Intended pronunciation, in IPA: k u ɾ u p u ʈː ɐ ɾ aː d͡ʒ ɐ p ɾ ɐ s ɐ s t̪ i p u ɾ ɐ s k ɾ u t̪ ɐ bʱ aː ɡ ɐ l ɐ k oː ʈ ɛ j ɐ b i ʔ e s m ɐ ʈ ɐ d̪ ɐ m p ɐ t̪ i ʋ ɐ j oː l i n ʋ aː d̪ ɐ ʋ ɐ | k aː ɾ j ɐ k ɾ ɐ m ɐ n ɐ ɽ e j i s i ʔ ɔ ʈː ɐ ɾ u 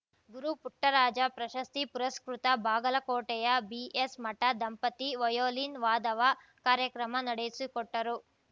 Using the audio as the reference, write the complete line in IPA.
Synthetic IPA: ɡ u ɾ u p u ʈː ɐ ɾ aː d͡ʒ ɐ p ɾ ɐ ʃ ɐ s t̪ i p u ɾ ɐ s k ɾ u t̪ ɐ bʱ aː ɡ ɐ l ɐ k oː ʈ ɛ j ɐ b i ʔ e s m ɐ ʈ ɐ d̪ ɐ m p ɐ t̪ i ʋ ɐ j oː l i n ʋ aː d̪ ɐ ʋ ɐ | k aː ɾ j ɐ k ɾ ɐ m ɐ n ɐ ɽ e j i s i k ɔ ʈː ɐ ɾ u

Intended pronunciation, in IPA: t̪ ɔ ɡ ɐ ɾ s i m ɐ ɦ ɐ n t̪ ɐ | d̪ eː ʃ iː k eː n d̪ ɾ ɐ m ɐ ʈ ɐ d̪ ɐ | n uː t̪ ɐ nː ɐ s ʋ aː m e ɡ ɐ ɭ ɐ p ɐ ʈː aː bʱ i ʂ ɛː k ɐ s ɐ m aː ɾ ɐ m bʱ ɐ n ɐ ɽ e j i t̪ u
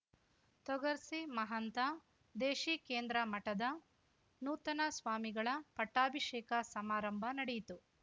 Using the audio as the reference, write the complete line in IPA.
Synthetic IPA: t̪ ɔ ɡ ɐ ɾ s i m ɐ ɦ ɐ n t̪ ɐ | d̪ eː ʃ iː k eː n d̪ ɾ ɐ m ɐ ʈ ɐ d̪ ɐ | n uː t̪ ɐ n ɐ s ʋ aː m i ɡ ɐ ɭ ɐ p ɐ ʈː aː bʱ i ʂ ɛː k ɐ s ɐ m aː ɾ ɐ m bʱ ɐ n ɐ ɽ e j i t̪ u

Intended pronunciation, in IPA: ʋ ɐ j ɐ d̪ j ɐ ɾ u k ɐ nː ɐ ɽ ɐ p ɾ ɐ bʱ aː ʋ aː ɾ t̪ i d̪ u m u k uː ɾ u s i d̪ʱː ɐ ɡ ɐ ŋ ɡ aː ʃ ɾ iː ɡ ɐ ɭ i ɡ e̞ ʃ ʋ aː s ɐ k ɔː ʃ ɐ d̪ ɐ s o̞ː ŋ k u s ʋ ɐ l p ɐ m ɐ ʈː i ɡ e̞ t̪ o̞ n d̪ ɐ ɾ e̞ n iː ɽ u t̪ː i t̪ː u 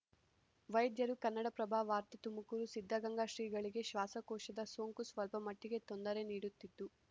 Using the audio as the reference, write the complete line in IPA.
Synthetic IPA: ʋ ɐ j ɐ d̪ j ɐ ɾ u k ɐ nː ɐ ɽ ɐ p ɾ ɐ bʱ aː ʋ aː ɾ t̪ i t̪ u m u k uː ɾ u s i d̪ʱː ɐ ɡ ɐ ŋ ɡ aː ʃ ɾ iː ɡ ɐ ɭ i ɡ e̞ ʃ ʋ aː s ɐ k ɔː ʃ ɐ d̪ ɐ s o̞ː ŋ k u s ʋ ɐ l p ɐ m ɐ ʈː i ɡ e̞ t̪ o̞ n d̪ ɐ ɾ e̞ n iː ɽ u t̪ː i t̪ː u

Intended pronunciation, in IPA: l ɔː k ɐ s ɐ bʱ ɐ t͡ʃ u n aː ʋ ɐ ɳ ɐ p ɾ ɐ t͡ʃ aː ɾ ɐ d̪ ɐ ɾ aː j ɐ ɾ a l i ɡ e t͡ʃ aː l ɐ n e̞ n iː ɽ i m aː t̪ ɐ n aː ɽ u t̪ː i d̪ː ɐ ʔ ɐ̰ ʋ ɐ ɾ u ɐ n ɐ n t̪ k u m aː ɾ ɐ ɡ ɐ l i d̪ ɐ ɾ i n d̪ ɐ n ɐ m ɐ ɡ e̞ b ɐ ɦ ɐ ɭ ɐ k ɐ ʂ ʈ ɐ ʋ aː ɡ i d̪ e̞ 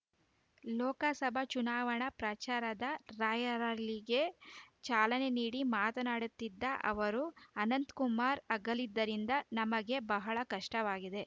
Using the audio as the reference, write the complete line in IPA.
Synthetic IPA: l ɔː k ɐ s ɐ bʱ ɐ t͡ʃ u n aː ʋ ɐ ɳ ɐ p ɾ ɐ t͡ʃ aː ɾ ɐ d̪ ɐ ɾ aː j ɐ ɾ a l i ɡ e t͡ʃ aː l ɐ n e̞ n iː ɽ i m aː t̪ ɐ n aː ɽ u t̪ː i d̪ː ɐ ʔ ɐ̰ ʋ ɐ ɾ u ɐ n ɐ n t̪ k u m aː ɾ ɐ ɡ ɐ l i d̪ː ɐ ɾ i n d̪ ɐ n ɐ m ɐ ɡ e̞ b ɐ ɦ ɐ ɭ ɐ k ɐ ʂ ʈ ɐ ʋ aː ɡ i d̪ e̞

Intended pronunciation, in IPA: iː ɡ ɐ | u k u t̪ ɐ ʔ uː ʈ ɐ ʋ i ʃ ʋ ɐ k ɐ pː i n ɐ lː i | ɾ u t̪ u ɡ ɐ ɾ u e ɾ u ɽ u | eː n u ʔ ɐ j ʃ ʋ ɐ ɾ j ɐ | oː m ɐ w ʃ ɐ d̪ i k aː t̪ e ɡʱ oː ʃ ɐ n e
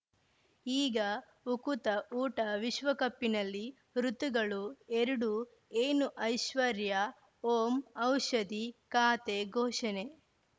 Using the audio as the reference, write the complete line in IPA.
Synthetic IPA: iː ɡ ɐ | u k u t̪ ɐ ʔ uː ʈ ɐ ʋ i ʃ ʋ ɐ k ɐ pː i n ɐ lː i | ɾ u t̪ u ɡ ɐ ɭ u e ɾ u ɽ u | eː n u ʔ ɐ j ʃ ʋ ɐ ɾ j ɐ | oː m ɐ w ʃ ɐ d̪ i k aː t̪ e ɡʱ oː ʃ ɐ n e

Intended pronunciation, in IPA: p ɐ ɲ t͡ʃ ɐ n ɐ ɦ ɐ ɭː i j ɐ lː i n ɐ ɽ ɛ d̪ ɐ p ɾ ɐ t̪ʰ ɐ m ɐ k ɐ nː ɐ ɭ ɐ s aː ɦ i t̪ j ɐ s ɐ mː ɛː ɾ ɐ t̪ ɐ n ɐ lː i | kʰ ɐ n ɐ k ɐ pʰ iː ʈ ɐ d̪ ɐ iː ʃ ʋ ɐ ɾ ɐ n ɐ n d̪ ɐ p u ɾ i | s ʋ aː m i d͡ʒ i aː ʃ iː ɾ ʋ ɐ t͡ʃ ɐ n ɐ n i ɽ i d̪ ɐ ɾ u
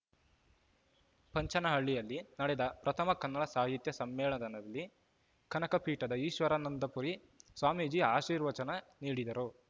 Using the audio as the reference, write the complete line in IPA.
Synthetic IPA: p ɐ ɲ t͡ʃ ɐ n ɐ ɦ ɐ ɭː i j ɐ lː i n ɐ ɽ ɛ d̪ ɐ p ɾ ɐ t̪ʰ ɐ m ɐ k ɐ nː ɐ ɭ ɐ s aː ɦ i t̪ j ɐ s ɐ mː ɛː ɭ ɐ d̪ ɐ n ɐ lː i | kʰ ɐ n ɐ k ɐ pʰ iː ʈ ɐ d̪ ɐ iː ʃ ʋ ɐ ɾ ɐ n ɐ n d̪ ɐ p u ɾ i | s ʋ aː m i d͡ʒ i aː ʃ iː ɾ ʋ ɐ t͡ʃ ɐ n ɐ n iː ɽ i d̪ ɐ ɾ u

